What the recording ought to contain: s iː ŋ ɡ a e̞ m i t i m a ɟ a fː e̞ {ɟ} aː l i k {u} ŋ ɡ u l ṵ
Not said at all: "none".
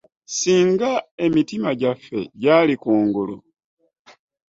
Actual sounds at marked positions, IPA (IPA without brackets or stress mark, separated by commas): ɟ, uː